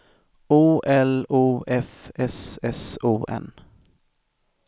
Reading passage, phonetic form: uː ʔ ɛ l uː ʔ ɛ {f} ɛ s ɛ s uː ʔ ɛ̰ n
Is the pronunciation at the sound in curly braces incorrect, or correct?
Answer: correct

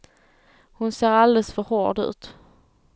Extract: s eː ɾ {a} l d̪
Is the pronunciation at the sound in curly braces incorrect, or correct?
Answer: correct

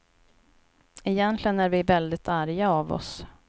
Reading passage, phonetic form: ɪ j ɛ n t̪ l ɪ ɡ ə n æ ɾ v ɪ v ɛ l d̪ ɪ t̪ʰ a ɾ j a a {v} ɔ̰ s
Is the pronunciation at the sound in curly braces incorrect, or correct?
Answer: correct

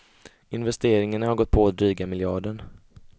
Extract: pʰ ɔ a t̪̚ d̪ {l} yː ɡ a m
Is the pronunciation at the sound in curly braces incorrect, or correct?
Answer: incorrect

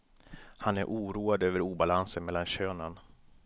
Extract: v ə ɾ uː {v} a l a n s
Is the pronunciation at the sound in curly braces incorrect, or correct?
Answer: incorrect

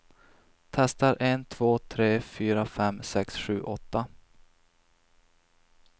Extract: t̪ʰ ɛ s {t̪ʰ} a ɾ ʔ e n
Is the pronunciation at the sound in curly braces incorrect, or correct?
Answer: incorrect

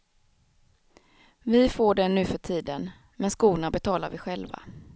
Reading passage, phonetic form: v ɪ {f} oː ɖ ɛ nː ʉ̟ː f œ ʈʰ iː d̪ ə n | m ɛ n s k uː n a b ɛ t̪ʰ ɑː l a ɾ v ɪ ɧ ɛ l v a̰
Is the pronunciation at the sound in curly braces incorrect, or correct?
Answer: correct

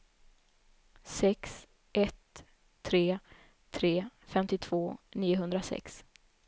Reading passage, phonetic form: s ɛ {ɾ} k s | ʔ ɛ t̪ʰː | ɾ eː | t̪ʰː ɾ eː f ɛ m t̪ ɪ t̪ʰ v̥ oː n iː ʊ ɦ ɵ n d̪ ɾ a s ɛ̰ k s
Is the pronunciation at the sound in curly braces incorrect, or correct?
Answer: incorrect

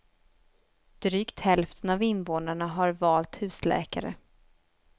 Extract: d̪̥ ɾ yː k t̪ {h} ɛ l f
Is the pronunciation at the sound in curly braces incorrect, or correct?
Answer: correct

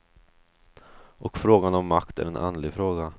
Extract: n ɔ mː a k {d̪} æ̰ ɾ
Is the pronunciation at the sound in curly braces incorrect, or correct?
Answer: incorrect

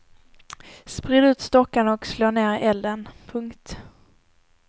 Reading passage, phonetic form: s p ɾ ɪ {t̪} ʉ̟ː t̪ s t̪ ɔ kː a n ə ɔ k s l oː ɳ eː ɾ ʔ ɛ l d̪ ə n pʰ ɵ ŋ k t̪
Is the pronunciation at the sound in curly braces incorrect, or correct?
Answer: incorrect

